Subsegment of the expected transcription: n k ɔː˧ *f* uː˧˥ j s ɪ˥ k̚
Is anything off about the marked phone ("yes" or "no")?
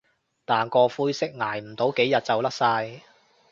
no